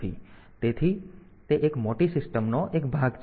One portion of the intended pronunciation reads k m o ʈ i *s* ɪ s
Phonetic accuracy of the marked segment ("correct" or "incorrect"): correct